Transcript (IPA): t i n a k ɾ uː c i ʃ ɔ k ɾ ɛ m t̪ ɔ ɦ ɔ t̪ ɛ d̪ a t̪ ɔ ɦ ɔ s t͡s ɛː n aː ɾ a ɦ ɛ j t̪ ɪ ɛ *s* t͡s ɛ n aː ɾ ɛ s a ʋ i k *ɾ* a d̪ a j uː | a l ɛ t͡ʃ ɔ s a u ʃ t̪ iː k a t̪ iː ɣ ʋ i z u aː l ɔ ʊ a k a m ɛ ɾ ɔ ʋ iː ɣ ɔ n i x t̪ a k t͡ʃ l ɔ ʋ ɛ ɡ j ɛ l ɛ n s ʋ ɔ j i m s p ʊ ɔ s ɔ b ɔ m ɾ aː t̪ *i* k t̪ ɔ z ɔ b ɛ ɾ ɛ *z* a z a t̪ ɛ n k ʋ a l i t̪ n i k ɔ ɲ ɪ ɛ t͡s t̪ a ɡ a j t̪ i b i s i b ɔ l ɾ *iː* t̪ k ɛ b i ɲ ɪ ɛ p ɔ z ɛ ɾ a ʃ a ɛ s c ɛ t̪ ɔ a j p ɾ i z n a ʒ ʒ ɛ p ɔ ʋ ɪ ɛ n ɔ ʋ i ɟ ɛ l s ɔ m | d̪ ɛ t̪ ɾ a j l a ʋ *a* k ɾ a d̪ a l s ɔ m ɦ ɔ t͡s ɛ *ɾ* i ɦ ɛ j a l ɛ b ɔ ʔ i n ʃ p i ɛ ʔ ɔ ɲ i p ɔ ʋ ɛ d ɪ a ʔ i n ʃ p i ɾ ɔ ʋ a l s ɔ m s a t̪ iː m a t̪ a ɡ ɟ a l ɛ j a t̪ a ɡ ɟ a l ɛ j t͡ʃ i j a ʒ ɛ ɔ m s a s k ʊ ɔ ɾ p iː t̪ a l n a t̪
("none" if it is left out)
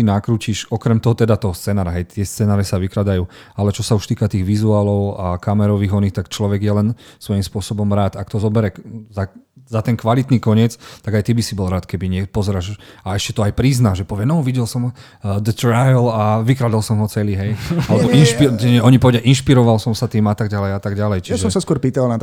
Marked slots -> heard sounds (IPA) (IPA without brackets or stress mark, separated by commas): s, ɾ, a, z, aː, i, l